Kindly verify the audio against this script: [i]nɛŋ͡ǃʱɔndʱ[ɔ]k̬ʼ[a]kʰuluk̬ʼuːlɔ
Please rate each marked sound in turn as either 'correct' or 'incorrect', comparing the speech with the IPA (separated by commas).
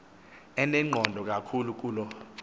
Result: incorrect, correct, correct